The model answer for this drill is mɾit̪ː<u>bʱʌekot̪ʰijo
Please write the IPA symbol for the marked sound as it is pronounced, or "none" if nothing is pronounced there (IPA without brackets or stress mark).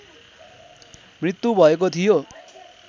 u